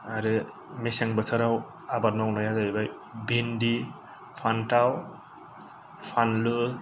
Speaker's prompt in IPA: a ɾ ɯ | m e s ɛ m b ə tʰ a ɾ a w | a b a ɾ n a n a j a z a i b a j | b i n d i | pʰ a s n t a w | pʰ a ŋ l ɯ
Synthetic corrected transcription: a ɾ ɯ | m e s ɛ ŋ b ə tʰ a ɾ a w | a b a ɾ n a n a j a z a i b a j | b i n d i | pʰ a n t a w | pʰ a n l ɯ